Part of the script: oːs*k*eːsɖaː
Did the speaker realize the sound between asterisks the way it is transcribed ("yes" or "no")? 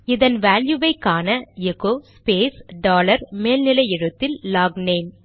no